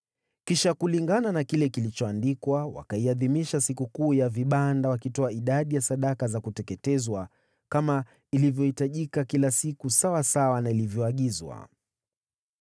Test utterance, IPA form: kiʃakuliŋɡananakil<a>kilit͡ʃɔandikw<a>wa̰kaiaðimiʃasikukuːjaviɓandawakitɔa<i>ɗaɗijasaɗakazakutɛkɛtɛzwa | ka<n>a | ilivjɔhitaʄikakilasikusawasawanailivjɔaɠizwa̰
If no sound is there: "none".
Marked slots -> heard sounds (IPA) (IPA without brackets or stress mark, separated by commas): ɛ, a, i, m